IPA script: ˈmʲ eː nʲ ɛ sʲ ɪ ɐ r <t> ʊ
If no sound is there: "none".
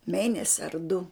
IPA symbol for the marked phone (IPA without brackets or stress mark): d